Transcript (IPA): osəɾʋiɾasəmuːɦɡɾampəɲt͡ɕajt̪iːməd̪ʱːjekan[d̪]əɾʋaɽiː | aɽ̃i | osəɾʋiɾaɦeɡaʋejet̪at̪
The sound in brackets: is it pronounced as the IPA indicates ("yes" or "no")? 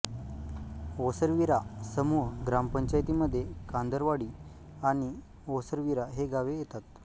yes